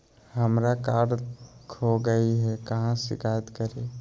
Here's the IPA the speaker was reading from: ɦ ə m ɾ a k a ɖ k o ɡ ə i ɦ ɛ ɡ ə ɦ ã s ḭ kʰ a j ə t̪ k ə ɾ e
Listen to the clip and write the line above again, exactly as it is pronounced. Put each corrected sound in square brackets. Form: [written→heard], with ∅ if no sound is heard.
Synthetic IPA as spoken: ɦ ə m ɾ a k a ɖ [k→kʰ] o ɡ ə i ɦ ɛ [ɡ→k] ə ɦ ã s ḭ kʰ a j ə t̪ k ə ɾ e